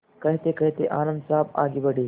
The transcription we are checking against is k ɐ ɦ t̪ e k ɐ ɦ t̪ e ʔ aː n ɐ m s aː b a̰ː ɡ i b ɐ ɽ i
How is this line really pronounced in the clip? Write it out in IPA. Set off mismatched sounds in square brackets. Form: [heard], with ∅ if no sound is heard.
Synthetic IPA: k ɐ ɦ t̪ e k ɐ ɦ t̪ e ʔ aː n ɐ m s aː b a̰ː ɡ i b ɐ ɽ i